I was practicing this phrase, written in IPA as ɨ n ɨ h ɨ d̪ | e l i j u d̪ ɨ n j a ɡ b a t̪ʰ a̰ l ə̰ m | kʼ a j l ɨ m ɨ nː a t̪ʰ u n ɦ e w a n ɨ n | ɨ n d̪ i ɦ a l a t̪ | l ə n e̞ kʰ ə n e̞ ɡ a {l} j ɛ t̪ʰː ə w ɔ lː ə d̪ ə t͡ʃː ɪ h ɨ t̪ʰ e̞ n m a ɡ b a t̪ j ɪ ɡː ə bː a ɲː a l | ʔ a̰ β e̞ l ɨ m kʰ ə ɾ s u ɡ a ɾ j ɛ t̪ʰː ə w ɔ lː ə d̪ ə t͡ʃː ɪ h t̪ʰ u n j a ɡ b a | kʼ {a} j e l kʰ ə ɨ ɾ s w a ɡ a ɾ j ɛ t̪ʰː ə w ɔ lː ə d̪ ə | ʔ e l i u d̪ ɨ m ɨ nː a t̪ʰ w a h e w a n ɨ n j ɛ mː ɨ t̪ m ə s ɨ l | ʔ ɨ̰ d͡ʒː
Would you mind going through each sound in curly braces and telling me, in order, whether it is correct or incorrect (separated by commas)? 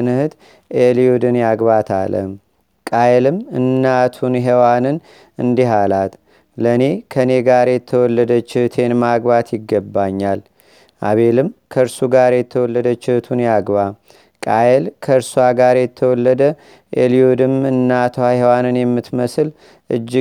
incorrect, correct